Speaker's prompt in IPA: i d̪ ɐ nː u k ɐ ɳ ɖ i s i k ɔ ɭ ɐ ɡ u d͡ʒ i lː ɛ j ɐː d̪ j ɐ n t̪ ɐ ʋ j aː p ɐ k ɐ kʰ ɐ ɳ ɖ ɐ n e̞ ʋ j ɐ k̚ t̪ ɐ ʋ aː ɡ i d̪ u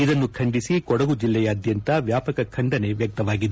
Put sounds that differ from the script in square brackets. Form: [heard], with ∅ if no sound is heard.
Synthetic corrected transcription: i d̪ ɐ nː u [kʰ] ɐ ɳ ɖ i s i k ɔ [ɽ] ɐ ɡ u d͡ʒ i lː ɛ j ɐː d̪ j ɐ n t̪ ɐ ʋ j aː p ɐ k ɐ kʰ ɐ ɳ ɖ ɐ n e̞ ʋ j ɐ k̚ t̪ ɐ ʋ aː ɡ i d̪ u

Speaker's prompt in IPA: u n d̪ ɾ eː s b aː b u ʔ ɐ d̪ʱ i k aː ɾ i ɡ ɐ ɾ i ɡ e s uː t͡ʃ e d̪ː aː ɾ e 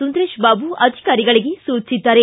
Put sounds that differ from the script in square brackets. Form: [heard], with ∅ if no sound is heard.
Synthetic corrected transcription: u n d̪ ɾ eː [ʃ] b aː b u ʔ ɐ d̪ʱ i k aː ɾ i ɡ ɐ [ɭ] i ɡ e s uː t͡ʃ [i] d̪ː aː ɾ e

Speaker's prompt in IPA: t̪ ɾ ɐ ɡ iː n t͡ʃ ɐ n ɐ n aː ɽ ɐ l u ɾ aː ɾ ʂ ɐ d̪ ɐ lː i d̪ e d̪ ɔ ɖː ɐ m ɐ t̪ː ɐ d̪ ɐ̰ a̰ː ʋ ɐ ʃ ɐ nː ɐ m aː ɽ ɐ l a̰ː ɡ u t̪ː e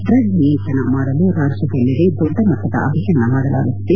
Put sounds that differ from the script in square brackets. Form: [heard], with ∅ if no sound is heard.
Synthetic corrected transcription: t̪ ɾ ɐ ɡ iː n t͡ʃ ɐ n ɐ [m] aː ɽ ɐ l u ɾ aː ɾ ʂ ɐ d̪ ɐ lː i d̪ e d̪ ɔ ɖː ɐ m ɐ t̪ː ɐ d̪ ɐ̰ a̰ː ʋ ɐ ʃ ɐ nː ɐ m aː ɽ ɐ l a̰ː ɡ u t̪ː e

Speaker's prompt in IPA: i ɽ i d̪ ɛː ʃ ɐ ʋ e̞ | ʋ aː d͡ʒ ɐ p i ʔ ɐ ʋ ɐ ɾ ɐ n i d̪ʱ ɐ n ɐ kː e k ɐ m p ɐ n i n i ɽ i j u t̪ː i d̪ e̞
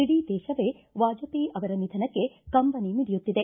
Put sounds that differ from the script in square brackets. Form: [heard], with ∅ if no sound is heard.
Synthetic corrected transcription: i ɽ i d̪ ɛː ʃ ɐ ʋ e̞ | ʋ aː d͡ʒ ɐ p i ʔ ɐ ʋ ɐ ɾ ɐ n i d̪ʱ ɐ n ɐ kː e k ɐ m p ɐ n i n i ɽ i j u t̪ː i d̪ e̞

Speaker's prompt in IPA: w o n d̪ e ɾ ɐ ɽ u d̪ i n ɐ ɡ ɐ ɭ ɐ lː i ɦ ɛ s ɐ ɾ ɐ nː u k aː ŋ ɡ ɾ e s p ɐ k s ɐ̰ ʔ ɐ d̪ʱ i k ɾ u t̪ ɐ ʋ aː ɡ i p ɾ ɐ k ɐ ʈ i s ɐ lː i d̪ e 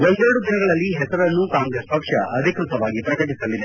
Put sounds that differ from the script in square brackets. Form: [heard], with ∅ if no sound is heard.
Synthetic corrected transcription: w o n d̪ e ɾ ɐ ɽ u d̪ i n ɐ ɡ ɐ ɭ ɐ lː i ɦ ɛ s ɐ ɾ ɐ nː u k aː ŋ ɡ ɾ e s p ɐ k [ʂ] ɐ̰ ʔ ɐ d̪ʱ i k ɾ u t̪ ɐ ʋ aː ɡ i p ɾ ɐ k ɐ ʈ i s ɐ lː i d̪ e

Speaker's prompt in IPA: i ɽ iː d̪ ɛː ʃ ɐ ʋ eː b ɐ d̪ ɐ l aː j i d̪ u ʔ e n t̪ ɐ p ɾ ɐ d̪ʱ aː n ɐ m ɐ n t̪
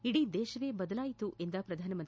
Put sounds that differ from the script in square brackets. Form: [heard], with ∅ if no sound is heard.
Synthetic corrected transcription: i ɽ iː d̪ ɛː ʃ ɐ ʋ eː b ɐ d̪ ɐ l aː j i [t̪] u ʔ e n [d̪] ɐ p ɾ ɐ d̪ʱ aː n ɐ m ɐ n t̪

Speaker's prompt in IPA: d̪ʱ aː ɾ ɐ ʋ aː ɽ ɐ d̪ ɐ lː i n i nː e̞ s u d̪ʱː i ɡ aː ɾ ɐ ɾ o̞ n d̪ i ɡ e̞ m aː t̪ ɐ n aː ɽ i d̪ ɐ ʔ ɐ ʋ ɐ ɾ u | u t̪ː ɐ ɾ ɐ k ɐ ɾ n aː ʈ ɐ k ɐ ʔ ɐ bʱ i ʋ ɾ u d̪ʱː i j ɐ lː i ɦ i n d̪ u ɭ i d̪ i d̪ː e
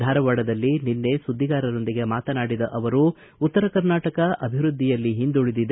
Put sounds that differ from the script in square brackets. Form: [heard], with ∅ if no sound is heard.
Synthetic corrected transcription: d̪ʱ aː ɾ ɐ ʋ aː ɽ ɐ d̪ ɐ lː i n i nː e̞ s u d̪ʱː i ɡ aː ɾ ɐ ɾ o̞ n d̪ i ɡ e̞ m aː t̪ ɐ n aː ɽ i d̪ ɐ ʔ ɐ ʋ ɐ ɾ u | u t̪ː ɐ ɾ ɐ k ɐ ɾ n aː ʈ ɐ k ɐ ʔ ɐ bʱ i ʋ ɾ u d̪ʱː i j ɐ lː i ɦ i n d̪ u ɭ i d̪ i [d̪] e

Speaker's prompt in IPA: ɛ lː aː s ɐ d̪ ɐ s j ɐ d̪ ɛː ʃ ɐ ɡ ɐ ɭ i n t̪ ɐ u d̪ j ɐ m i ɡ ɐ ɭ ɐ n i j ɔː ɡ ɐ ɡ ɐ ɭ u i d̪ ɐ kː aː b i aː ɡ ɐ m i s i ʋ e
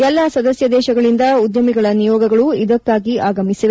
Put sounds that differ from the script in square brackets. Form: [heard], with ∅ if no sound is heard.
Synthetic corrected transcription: ɛ lː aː s ɐ d̪ ɐ s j ɐ d̪ ɛː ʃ ɐ ɡ ɐ ɭ i n [d̪] ɐ u d̪ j ɐ m i ɡ ɐ ɭ ɐ n i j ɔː ɡ ɐ ɡ ɐ ɭ u i d̪ ɐ kː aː [ɡ] i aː ɡ ɐ m i s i ʋ e

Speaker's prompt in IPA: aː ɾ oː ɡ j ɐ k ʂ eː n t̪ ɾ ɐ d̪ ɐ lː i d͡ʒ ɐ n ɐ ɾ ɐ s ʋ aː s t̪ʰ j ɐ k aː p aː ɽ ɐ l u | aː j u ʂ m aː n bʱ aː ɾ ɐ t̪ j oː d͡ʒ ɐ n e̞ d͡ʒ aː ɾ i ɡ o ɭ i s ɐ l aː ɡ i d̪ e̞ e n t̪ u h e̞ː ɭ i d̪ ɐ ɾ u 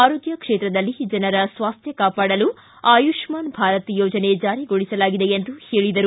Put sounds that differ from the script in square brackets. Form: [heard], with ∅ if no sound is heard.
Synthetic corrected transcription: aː ɾ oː ɡ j ɐ k ʂ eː [∅] t̪ ɾ ɐ d̪ ɐ lː i d͡ʒ ɐ n ɐ ɾ ɐ s ʋ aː s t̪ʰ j ɐ k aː p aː ɽ ɐ l u | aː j u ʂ m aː n bʱ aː ɾ ɐ t̪ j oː d͡ʒ ɐ n e̞ d͡ʒ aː ɾ i ɡ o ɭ i s ɐ l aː ɡ i d̪ e̞ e n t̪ u h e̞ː ɭ i d̪ ɐ ɾ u

